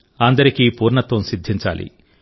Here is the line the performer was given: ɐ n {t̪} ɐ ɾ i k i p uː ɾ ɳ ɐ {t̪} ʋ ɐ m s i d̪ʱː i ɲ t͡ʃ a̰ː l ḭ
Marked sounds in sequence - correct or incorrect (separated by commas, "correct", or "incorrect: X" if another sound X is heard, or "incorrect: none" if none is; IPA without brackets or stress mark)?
incorrect: d̪, correct